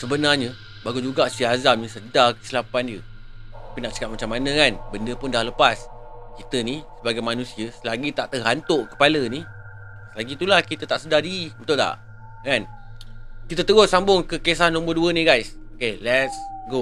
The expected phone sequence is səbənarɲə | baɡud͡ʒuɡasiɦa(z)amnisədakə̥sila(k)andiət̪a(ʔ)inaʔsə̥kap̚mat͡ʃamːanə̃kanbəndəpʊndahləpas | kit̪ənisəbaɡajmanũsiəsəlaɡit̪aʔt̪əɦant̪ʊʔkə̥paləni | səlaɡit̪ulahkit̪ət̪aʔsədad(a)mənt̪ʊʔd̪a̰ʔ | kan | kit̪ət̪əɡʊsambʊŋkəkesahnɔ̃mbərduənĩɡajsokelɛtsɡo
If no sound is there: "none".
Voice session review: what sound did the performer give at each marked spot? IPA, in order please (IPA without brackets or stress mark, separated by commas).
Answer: z, p, p, i